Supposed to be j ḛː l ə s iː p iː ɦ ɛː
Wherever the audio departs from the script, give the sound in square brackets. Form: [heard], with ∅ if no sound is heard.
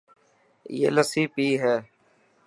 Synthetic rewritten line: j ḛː l ə s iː p iː ɦ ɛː